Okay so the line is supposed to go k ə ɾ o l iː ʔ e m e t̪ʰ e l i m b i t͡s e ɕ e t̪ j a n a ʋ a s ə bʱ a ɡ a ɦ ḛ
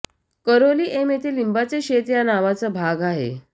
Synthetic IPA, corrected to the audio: k ə ɾ o l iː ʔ e m e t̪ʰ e l i m b a t͡s e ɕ e t̪ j a n a ʋ a t͡s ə bʱ a ɡ a ɦ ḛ